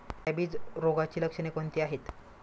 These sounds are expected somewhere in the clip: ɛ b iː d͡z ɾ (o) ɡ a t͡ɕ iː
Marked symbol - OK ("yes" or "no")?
yes